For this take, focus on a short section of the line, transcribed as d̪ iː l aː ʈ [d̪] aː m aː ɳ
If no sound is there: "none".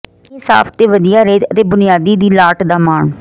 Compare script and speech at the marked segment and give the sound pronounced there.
d̪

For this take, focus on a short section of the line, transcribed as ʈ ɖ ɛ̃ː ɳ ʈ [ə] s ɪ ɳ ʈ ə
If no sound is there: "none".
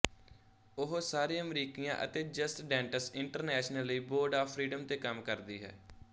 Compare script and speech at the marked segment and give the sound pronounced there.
ə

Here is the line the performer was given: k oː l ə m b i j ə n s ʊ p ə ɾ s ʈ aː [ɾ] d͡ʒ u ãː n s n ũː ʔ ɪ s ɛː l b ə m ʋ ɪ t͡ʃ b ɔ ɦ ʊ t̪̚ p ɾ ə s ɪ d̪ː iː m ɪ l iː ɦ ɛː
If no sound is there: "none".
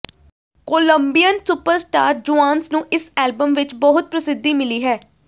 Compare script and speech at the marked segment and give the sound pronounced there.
ɾ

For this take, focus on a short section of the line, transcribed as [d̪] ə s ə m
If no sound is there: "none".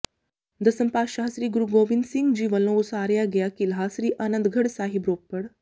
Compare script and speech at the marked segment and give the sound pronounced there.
d̪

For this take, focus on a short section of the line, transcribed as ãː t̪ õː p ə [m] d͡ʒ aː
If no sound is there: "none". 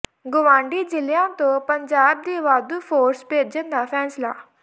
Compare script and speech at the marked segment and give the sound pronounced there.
ɲ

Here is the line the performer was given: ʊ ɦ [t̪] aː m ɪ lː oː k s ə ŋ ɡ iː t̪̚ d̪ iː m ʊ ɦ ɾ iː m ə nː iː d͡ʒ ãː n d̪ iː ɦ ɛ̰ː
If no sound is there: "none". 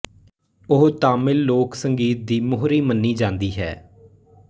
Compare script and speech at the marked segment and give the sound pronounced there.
t̪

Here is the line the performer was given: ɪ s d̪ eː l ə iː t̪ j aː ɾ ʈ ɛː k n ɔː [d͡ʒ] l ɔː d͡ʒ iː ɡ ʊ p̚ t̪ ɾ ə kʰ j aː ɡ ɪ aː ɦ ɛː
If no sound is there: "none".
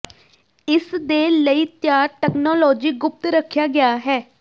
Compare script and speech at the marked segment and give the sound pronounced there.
none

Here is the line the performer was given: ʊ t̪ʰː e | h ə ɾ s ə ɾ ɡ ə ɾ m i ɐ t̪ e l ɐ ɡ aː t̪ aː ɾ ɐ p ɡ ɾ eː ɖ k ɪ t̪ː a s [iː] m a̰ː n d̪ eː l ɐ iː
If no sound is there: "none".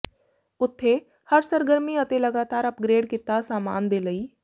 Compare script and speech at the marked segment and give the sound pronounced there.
aː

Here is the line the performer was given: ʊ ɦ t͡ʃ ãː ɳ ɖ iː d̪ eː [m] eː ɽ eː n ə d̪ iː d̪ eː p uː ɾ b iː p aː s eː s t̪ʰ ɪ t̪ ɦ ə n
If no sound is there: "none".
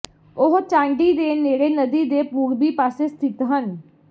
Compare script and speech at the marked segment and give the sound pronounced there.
n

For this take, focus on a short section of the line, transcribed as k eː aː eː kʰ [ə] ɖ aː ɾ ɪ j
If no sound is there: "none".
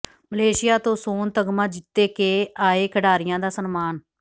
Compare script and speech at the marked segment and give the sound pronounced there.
ə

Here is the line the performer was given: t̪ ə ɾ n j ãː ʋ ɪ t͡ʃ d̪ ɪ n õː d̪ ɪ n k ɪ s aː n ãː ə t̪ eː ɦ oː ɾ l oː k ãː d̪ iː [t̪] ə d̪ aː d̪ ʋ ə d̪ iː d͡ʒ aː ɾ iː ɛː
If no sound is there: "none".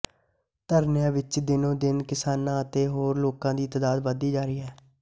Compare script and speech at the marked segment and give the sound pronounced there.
t̪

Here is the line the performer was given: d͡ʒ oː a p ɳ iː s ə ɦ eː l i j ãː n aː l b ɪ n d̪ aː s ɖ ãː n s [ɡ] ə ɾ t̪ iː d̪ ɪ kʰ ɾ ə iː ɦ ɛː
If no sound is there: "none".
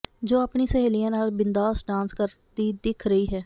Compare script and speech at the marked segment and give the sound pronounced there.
k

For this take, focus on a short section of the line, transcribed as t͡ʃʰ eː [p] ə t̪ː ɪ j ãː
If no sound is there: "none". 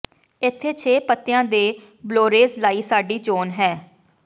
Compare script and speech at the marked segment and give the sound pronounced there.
p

